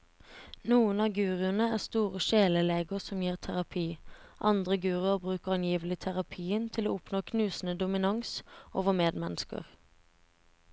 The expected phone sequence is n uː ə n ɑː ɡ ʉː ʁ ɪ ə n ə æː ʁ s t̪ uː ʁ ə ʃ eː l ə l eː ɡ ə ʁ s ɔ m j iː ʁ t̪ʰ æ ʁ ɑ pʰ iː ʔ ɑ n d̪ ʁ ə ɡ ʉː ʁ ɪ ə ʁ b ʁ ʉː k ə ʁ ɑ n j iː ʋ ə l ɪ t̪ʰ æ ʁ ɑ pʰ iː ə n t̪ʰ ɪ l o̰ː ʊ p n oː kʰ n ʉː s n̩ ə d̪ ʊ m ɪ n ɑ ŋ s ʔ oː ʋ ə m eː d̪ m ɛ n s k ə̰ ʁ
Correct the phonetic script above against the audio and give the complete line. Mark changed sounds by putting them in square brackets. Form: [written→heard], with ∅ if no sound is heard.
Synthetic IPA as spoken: n uː ə n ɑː ɡ ʉː ʁ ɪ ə n ə æː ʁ s t̪ uː ʁ ə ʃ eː l ə l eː ɡ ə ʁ s ɔ m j iː ʁ t̪ʰ æ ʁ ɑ pʰ iː ʔ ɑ n d̪ ʁ ə ɡ ʉː ʁ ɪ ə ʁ b ʁ ʉː k ə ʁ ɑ n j iː ʋ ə l ɪ t̪ʰ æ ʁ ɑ pʰ iː ə n t̪ʰ ɪ l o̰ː ʊ p n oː kʰ n ʉː s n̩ ə d̪ ʊ m ɪ n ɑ ŋ s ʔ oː ʋ ə m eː d̪ m ɛ n s k ə̰ ʁ

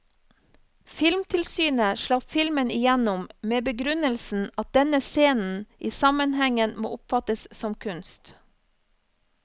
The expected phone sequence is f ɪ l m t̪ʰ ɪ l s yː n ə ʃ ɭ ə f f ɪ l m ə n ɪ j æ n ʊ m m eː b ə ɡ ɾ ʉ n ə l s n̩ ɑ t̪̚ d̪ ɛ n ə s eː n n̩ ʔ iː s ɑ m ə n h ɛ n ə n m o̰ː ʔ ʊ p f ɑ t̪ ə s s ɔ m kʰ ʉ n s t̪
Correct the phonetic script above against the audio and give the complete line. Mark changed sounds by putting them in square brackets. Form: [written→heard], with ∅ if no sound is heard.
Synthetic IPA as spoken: f ɪ l m t̪ʰ ɪ l s yː n ə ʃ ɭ [ə→ɑ] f f ɪ l m ə n ɪ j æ n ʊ m m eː b ə ɡ ɾ ʉ n ə l s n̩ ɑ t̪̚ d̪ ɛ n ə s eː n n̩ ʔ iː s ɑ m ə n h ɛ [n→ŋ] ə n m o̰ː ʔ ʊ p f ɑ t̪ ə s s ɔ m kʰ ʉ n s t̪

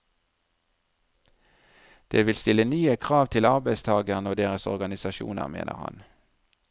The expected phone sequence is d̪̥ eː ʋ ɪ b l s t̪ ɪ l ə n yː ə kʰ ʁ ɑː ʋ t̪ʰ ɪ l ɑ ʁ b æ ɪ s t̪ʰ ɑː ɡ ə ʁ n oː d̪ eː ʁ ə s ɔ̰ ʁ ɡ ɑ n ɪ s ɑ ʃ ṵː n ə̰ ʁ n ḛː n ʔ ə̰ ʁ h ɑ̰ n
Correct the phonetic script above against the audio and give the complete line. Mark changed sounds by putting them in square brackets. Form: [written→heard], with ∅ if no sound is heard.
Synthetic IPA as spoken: d̪̥ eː ʋ ɪ [b→∅] l s t̪ ɪ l ə n yː ə kʰ ʁ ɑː ʋ t̪ʰ ɪ l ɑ ʁ b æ ɪ s t̪ʰ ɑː ɡ ə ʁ n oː d̪ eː ʁ ə s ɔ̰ ʁ ɡ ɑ n ɪ s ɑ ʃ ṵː n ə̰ ʁ [n→m] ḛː n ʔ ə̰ ʁ h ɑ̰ n

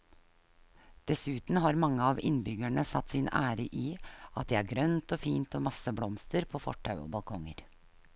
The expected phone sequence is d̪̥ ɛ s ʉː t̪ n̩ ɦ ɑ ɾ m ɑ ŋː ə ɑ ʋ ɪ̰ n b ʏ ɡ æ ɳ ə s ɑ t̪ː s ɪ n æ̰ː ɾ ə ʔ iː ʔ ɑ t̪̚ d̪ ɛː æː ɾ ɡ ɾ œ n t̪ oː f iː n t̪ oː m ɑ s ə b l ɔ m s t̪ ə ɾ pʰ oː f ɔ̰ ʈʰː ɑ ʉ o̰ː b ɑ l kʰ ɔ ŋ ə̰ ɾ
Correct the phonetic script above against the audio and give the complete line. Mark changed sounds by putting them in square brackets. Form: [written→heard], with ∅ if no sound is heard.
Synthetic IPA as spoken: d̪̥ ɛ s ʉː t̪ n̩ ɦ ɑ ɾ m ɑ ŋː ə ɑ ʋ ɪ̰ n b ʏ ɡ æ ɳ ə s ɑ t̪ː s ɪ n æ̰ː ɾ ə ʔ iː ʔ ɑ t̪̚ d̪ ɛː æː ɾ ɡ ɾ œ n t̪ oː f iː n t̪ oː m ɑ s ə b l ɔ m s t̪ ə ɾ pʰ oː f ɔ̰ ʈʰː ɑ ʉ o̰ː b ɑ l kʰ ɔ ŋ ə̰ ɾ

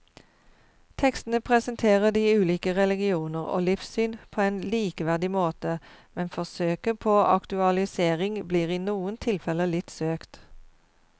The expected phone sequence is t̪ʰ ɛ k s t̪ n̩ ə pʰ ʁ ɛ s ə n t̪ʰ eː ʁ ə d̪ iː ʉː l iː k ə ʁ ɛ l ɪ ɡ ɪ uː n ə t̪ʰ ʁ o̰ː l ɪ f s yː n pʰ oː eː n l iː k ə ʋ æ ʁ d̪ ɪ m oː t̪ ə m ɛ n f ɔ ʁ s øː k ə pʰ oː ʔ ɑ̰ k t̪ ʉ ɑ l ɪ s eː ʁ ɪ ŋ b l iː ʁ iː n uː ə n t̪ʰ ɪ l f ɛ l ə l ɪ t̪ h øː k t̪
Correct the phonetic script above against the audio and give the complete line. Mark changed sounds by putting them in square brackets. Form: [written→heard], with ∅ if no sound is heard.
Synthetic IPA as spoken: t̪ʰ ɛ k s t̪ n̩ ə pʰ ʁ ɛ s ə n t̪ʰ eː ʁ ə d̪ iː ʉː l iː k ə ʁ ɛ l ɪ ɡ ɪ uː n ə [t̪ʰ→∅] ʁ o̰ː l ɪ f s yː n pʰ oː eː n l iː k ə ʋ æ ʁ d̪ ɪ m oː t̪ ə m ɛ n f ɔ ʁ s øː k ə pʰ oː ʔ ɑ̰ k t̪ ʉ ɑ l ɪ s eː ʁ ɪ ŋ b l iː ʁ iː n uː ə n t̪ʰ ɪ l f ɛ l ə l ɪ t̪ [h→s] øː k t̪

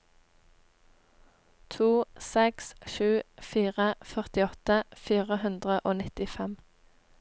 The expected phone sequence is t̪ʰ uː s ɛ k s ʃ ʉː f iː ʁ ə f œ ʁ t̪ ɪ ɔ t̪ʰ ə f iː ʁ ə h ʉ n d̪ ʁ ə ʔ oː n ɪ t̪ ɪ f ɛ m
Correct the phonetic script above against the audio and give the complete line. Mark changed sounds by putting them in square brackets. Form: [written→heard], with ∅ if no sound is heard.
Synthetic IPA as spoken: t̪ʰ uː s ɛ k s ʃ ʉː f iː ʁ ə f œ ʁ t̪ ɪ ɔ [t̪ʰ→t̪] ə f iː ʁ ə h ʉ n d̪ ʁ ə ʔ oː n ɪ t̪ ɪ f ɛ m

